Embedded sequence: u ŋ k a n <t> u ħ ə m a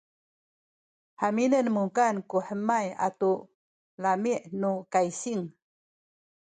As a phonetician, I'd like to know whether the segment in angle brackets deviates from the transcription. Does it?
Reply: yes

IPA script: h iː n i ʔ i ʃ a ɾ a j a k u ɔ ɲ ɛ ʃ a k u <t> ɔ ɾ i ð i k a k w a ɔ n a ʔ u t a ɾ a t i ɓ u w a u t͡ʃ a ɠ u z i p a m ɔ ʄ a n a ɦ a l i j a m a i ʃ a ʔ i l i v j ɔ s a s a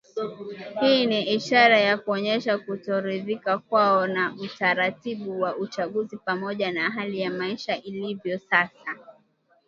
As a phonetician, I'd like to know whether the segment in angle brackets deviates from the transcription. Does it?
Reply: no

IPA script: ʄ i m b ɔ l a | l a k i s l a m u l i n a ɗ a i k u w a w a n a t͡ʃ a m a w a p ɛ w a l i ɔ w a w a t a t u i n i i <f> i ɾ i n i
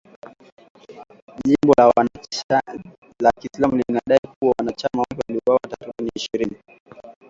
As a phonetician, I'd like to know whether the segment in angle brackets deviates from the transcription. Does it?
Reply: yes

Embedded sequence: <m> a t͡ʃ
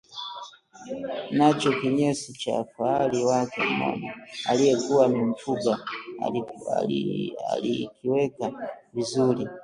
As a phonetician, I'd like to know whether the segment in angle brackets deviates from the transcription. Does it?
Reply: yes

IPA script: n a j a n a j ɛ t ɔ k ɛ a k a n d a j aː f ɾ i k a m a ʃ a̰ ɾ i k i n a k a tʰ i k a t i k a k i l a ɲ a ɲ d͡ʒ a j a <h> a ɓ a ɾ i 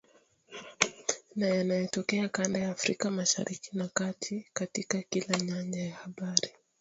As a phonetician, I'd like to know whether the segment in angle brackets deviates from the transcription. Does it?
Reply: no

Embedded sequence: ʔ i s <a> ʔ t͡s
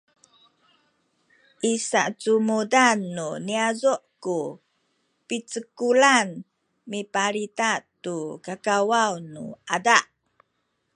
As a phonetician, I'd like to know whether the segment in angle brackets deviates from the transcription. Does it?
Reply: no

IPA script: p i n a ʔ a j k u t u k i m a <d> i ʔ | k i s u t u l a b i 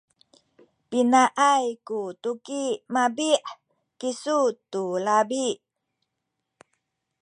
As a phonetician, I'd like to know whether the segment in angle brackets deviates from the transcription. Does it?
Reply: yes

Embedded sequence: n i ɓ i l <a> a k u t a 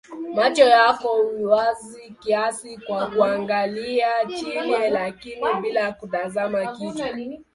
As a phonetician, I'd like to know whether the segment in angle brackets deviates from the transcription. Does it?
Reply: no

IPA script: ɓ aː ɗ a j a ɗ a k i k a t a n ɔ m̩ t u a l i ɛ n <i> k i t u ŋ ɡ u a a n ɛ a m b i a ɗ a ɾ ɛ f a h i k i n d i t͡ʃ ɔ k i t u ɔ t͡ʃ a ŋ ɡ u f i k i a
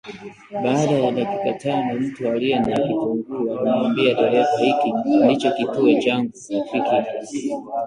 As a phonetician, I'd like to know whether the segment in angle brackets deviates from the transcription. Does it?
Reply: yes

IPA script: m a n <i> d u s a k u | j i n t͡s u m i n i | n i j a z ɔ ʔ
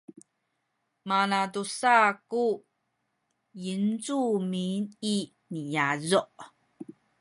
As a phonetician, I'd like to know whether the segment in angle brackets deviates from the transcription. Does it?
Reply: yes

